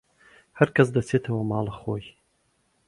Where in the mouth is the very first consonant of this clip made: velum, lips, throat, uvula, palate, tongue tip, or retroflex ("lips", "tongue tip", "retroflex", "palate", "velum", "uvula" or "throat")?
throat